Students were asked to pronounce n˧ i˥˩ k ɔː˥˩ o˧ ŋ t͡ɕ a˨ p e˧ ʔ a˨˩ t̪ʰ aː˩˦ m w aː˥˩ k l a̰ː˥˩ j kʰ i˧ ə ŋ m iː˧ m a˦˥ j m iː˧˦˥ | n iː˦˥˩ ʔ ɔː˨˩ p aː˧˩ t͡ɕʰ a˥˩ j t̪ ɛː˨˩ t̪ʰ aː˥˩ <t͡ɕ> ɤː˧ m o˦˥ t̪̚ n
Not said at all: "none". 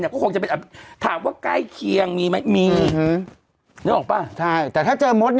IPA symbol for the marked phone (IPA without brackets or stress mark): t͡ɕ